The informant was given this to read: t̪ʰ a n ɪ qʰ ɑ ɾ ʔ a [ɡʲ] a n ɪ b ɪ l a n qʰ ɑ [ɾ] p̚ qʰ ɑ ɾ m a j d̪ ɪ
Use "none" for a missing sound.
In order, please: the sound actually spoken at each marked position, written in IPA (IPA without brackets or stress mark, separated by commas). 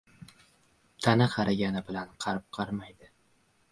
ɡʲ, ɾ